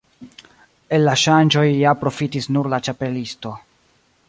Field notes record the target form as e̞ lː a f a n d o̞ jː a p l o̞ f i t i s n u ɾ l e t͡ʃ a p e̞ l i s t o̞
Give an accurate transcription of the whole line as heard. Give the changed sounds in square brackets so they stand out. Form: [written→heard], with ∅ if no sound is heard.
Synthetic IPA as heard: e̞ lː a [f→ʃ] a n [d→d͡ʒ] o̞ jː a p [l→ɾ] o̞ f i t i s n u ɾ l [e→a] t͡ʃ a p e̞ l i s t o̞